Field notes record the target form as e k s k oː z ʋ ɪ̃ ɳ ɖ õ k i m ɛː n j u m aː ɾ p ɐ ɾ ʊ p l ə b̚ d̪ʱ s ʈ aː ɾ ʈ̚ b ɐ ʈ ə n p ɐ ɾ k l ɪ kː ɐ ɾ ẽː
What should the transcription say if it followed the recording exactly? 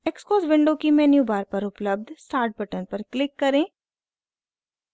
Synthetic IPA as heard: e k s k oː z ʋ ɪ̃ ɳ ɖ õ k i m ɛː n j u b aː ɾ p ɐ ɾ ʊ p l ə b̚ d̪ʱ s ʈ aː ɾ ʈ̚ b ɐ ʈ ə n p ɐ ɾ k l ɪ kː ɐ ɾ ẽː